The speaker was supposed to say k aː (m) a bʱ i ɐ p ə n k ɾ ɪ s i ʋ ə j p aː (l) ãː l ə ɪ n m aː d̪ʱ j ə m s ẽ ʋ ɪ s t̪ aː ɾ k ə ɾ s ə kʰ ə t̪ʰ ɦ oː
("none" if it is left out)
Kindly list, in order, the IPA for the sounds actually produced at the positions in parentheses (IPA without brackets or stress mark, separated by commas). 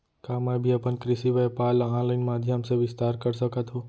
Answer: m, l